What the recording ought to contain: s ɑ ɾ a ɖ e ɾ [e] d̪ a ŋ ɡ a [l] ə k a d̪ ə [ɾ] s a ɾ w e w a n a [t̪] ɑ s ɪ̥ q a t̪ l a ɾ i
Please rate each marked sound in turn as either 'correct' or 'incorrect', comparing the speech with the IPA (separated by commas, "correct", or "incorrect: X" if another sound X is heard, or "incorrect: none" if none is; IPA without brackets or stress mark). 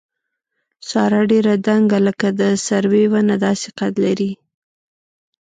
incorrect: a, correct, incorrect: none, incorrect: d̪